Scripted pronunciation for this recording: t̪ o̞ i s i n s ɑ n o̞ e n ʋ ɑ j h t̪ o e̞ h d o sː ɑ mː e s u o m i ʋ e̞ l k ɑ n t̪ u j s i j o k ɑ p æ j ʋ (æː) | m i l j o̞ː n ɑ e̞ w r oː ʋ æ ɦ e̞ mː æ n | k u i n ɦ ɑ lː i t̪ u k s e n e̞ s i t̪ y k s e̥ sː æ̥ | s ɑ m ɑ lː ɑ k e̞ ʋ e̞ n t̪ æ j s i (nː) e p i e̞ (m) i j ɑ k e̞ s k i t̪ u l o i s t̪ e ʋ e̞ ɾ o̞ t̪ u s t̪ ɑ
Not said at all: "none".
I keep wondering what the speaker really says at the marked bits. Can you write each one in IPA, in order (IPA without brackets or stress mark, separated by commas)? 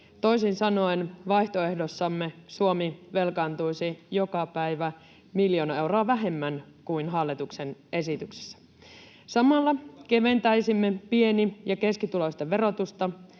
æ, mː, n